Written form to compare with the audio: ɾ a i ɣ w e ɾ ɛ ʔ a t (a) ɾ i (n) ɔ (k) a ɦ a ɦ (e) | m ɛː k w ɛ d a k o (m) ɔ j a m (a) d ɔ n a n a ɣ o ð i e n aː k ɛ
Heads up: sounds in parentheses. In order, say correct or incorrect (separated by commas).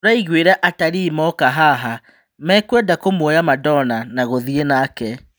correct, incorrect, correct, incorrect, correct, correct